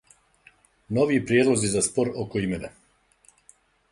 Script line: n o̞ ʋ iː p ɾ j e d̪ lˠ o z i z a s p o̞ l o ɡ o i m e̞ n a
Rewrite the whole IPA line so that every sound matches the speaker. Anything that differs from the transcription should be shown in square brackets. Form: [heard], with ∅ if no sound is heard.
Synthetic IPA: n o̞ ʋ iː p ɾ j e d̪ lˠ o z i z a s p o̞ [ɾ] o [k] o i m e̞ n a